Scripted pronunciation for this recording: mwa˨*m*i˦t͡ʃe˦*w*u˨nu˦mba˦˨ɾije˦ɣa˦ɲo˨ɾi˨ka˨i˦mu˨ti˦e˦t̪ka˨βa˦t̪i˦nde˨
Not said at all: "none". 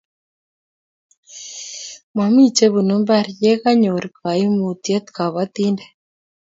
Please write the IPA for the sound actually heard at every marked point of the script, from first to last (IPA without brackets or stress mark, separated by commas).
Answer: m, β